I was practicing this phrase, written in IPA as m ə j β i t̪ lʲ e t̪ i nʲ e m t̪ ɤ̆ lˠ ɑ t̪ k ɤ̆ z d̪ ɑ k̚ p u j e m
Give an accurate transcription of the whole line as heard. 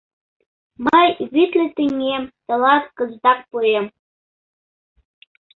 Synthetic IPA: m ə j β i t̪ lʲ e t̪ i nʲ e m t̪ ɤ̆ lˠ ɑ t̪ k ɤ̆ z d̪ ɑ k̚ p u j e m